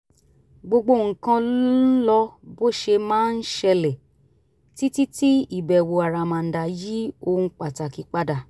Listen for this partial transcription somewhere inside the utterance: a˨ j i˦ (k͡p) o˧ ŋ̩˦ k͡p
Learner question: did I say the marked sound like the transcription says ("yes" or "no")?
no